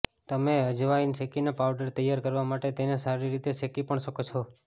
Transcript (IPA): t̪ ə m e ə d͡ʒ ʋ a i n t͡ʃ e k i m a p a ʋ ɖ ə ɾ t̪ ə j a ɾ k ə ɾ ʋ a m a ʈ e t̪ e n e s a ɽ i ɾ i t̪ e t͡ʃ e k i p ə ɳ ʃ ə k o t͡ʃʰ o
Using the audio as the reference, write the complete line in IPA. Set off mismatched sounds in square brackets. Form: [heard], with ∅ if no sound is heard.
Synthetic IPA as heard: t̪ ə m e ə d͡ʒ ʋ a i n t͡ʃ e k i [n] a p a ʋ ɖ ə ɾ t̪ ə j a ɾ k ə ɾ ʋ a m a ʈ e t̪ e n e s a [ɾ] i ɾ i t̪ e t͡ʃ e k i p ə ɳ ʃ ə k o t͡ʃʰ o